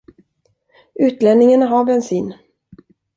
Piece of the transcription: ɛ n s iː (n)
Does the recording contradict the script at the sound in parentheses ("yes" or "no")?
no